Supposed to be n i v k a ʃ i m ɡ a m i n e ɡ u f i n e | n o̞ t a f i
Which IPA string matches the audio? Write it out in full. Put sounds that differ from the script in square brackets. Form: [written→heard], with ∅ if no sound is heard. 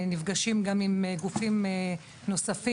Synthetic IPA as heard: n i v [k→ɡ] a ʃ i m ɡ a m i [n→m] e ɡ u f i [n→m] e | n o̞ [t→s] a f i